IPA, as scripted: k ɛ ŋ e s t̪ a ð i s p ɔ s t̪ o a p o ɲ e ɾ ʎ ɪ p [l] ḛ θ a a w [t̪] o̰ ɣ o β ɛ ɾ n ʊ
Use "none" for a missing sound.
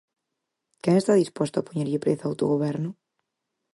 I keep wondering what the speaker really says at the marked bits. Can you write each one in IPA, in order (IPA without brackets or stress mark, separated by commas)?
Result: ɾ, t̪